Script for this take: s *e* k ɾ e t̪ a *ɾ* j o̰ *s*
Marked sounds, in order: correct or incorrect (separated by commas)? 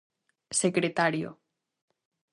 correct, correct, incorrect